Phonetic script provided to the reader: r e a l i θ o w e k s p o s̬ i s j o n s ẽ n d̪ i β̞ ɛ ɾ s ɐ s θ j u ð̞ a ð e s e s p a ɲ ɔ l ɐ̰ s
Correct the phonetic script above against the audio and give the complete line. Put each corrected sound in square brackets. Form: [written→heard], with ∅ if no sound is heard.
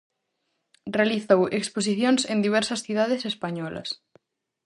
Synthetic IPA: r e a l i θ o w e k s p o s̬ i [s→θ] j o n s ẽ n d̪ i β̞ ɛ ɾ s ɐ s θ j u ð̞ a ð e s e s p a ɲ ɔ l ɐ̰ s